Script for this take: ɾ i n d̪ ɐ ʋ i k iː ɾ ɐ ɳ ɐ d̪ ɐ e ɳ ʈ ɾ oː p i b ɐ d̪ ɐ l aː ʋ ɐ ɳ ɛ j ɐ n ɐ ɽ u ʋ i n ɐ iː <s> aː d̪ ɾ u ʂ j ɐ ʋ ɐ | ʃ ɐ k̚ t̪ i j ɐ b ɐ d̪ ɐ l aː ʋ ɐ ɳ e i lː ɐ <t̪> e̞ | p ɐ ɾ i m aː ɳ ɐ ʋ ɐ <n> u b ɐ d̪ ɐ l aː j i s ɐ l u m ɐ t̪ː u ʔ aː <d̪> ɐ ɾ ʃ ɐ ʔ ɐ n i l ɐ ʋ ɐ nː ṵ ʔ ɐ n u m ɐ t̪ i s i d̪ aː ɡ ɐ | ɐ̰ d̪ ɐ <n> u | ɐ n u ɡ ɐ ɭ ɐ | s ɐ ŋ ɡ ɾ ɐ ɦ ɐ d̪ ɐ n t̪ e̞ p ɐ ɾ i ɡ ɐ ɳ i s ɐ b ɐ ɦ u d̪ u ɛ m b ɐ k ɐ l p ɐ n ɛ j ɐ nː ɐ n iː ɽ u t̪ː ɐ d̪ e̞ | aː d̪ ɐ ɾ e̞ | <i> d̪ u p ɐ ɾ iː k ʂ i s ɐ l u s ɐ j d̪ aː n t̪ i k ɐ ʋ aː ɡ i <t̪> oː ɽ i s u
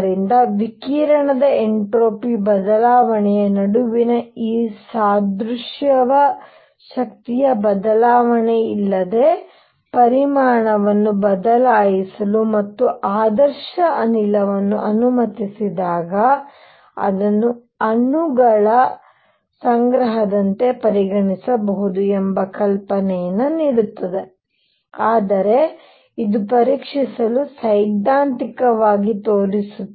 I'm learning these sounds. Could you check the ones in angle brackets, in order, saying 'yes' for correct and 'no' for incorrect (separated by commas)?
yes, no, no, yes, no, yes, yes